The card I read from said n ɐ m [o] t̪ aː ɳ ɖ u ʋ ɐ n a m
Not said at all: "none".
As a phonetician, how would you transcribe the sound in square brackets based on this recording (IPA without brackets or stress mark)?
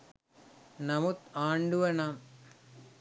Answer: u